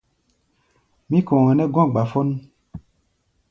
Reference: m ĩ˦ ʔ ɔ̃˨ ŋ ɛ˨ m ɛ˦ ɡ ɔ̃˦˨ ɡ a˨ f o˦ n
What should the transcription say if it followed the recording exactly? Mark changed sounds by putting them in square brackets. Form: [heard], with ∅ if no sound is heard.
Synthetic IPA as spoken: m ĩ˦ [k] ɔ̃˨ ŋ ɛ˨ [n] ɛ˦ ɡ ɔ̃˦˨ [ɡ͡b] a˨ f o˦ n